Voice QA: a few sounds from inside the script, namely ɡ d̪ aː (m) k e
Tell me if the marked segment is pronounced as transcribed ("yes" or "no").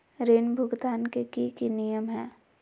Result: no